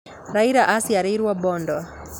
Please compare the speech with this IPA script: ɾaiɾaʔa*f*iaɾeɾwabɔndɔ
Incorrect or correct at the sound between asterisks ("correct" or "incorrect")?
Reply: incorrect